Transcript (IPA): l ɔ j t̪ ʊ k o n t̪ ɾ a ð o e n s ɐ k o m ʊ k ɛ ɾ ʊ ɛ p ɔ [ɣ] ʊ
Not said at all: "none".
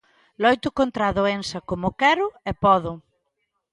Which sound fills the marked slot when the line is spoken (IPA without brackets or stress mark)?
ð